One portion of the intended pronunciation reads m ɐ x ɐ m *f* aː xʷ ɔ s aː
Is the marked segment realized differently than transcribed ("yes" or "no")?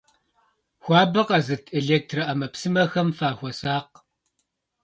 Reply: no